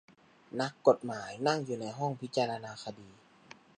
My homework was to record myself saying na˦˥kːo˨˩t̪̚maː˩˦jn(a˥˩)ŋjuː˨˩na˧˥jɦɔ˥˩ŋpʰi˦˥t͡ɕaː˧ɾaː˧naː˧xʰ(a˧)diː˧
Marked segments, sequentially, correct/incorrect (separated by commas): correct, correct